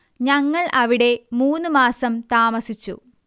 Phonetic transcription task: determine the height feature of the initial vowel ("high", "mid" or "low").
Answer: low